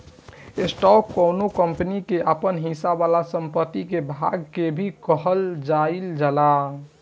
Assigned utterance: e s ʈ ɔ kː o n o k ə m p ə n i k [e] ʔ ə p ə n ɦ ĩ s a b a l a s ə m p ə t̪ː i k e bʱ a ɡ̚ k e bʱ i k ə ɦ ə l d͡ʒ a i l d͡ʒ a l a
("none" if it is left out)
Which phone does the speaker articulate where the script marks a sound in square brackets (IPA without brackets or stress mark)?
e